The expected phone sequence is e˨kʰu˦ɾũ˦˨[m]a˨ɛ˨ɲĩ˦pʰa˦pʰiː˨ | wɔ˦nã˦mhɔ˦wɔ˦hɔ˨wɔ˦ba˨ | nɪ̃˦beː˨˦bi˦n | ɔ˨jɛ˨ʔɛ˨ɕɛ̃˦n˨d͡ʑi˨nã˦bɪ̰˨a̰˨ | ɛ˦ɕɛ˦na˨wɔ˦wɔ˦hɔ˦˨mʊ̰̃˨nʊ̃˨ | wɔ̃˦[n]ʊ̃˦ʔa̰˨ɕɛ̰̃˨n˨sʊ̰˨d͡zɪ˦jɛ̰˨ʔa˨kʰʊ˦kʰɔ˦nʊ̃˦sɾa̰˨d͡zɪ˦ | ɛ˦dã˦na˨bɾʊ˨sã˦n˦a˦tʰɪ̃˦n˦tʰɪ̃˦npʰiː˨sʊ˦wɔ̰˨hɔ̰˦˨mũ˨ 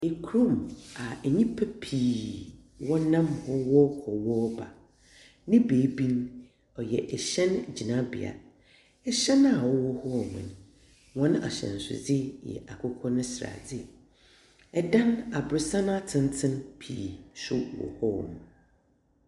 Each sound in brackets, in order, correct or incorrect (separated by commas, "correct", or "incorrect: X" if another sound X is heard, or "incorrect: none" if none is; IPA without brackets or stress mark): correct, correct